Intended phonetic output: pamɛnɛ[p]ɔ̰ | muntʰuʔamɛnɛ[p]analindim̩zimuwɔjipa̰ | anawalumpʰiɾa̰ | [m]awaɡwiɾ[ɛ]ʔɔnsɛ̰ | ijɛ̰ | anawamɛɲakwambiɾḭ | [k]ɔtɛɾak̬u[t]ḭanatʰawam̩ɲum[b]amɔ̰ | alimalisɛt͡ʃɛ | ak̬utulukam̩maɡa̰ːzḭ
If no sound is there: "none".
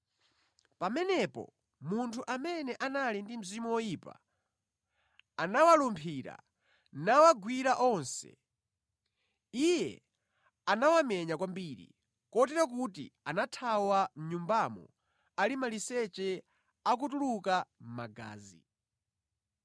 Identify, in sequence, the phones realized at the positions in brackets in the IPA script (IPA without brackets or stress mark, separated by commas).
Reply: p, ʔ, n, a, k, t, b